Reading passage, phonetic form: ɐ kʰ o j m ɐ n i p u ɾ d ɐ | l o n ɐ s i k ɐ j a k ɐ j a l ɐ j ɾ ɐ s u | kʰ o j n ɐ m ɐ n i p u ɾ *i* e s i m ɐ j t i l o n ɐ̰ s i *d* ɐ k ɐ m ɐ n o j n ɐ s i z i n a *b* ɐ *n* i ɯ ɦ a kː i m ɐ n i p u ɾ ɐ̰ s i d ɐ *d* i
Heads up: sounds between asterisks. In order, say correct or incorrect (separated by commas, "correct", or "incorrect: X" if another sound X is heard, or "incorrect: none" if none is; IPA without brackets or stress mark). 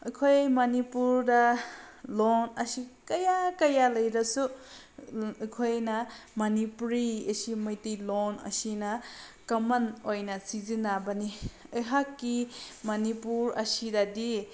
correct, incorrect: n, correct, correct, correct